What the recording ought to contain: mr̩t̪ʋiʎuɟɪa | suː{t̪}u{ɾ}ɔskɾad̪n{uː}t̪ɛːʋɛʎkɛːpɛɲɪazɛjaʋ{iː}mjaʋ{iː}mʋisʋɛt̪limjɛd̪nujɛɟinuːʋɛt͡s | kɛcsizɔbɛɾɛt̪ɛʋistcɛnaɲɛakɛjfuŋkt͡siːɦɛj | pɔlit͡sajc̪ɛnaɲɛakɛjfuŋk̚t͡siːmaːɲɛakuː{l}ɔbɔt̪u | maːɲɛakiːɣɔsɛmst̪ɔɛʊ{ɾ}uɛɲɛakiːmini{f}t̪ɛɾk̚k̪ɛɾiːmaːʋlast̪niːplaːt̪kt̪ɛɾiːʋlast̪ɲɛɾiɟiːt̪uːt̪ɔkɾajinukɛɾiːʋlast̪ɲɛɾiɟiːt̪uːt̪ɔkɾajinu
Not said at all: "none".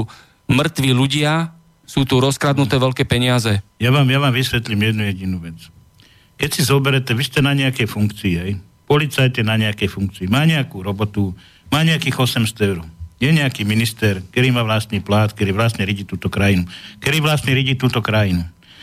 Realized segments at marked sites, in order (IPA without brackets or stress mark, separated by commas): t̪, ɾ, u, aː, aː, ɾ, ɾ, s